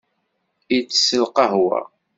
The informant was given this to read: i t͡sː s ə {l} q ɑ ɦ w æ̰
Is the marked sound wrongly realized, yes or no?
no